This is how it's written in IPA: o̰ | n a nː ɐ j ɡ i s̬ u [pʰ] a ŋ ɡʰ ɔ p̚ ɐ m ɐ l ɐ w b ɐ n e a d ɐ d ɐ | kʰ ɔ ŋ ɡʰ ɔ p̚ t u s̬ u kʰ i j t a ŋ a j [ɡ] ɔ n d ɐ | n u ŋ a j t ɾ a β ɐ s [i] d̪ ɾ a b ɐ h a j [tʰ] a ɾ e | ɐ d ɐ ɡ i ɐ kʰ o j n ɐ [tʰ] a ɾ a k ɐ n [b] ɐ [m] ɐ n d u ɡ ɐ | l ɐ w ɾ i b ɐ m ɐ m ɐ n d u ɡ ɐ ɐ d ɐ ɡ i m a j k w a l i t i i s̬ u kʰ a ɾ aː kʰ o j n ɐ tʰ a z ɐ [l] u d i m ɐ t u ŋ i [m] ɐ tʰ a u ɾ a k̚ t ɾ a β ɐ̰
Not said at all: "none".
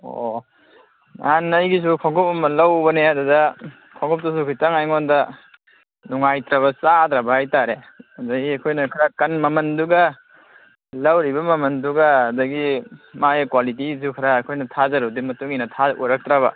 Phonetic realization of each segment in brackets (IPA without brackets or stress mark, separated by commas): kʰ, ŋ, a, t, kʰ, m, m, ɾ, n